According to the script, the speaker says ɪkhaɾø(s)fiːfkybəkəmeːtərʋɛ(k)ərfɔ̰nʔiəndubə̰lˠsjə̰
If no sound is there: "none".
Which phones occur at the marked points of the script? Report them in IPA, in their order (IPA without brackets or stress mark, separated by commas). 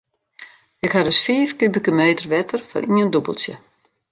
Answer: s, t